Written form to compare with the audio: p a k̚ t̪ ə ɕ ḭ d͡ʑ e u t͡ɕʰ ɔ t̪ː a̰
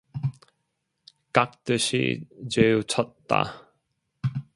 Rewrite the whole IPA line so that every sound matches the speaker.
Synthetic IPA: k a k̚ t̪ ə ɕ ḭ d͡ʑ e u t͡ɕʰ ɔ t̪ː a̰